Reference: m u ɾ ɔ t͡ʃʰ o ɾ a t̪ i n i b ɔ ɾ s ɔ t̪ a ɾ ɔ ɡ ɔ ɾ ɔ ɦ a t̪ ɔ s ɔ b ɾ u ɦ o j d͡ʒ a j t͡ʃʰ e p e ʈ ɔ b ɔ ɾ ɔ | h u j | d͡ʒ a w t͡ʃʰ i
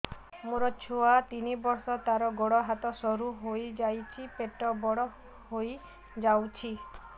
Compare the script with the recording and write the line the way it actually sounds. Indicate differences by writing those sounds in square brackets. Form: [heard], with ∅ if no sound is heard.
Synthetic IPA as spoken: m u ɾ ɔ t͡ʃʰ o [∅] a t̪ i n i b ɔ ɾ s ɔ t̪ a ɾ ɔ ɡ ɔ [ɽ] ɔ ɦ a t̪ ɔ s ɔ [∅] ɾ u ɦ o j d͡ʒ a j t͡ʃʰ [i] p e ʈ ɔ b ɔ [ɽ] ɔ | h [o] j | d͡ʒ a w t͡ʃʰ i